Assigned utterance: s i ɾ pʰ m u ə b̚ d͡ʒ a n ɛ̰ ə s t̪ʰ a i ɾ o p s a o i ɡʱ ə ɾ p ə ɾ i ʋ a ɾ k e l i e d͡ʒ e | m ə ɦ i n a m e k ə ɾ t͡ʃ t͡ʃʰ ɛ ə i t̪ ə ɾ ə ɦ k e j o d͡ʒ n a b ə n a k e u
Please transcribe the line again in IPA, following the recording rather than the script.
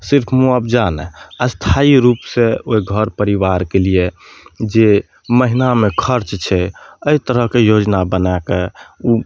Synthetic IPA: s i ɾ pʰ m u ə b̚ d͡ʒ a n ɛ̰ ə s t̪ʰ a i ɾ u p s e o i ɡʱ ə ɾ p ə ɾ i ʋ a ɾ k e l i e d͡ʒ e | m ə ɦ i n a m e kʰ ə ɾ t͡ʃ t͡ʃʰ ɛ ə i t̪ ə ɾ ə ɦ k e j o d͡ʒ n a b ə n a k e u